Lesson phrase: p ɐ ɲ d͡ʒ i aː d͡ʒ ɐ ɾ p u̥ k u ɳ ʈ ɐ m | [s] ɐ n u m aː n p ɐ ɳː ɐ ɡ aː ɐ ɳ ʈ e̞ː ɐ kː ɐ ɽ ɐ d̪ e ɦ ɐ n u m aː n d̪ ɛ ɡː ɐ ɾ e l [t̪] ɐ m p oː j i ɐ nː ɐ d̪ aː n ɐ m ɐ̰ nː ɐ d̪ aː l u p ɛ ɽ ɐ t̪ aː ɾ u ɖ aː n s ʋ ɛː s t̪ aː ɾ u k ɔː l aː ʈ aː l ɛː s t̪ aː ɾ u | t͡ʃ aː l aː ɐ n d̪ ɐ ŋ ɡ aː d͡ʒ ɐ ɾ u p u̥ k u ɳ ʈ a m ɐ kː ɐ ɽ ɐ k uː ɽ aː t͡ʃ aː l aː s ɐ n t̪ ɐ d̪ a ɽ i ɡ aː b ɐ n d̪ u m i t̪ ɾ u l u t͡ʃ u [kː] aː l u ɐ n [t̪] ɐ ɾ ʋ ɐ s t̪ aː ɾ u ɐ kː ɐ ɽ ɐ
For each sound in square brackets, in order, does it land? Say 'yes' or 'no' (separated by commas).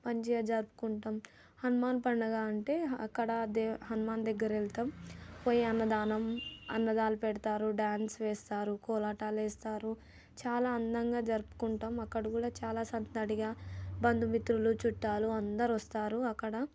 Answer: no, yes, no, no